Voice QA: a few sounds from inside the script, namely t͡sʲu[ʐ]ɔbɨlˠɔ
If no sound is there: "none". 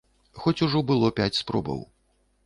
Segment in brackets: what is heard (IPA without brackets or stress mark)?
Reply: ʐ